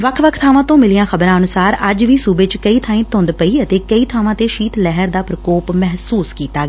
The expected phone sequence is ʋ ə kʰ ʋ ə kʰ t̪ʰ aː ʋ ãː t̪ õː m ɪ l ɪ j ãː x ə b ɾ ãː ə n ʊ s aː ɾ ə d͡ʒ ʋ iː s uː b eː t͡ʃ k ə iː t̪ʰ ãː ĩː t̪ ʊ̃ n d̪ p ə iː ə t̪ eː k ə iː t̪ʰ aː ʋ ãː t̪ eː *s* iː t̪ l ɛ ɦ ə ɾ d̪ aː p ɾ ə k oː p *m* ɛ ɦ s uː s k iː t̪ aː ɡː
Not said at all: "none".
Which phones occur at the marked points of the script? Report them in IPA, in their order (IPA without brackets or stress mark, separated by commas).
ʃ, m